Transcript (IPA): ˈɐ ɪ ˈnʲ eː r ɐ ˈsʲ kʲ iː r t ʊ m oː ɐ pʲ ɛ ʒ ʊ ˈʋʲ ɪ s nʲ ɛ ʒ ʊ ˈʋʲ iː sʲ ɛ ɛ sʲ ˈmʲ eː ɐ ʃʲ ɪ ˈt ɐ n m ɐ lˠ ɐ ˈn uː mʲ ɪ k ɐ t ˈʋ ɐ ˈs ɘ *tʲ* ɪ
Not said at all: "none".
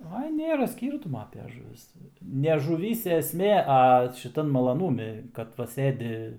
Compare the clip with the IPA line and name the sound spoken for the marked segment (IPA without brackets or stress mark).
dʲ